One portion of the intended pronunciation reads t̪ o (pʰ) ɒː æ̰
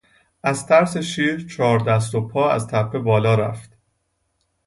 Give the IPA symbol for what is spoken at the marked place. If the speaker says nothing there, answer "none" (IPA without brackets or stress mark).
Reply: pʰ